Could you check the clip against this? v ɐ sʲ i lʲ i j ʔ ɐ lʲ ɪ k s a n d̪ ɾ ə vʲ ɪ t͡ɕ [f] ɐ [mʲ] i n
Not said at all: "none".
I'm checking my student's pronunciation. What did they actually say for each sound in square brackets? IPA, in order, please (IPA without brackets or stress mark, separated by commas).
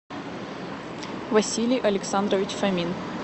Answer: f, mʲ